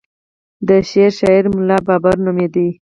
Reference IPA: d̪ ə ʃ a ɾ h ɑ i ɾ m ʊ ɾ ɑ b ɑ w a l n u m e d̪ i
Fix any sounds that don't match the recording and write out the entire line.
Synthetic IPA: d̪ ə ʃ e ɾ ʃ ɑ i ɾ m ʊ l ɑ b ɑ b a ɾ n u m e d̪ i